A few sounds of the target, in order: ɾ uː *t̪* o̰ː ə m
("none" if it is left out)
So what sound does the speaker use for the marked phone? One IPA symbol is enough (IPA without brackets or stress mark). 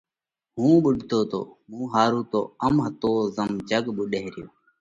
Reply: t̪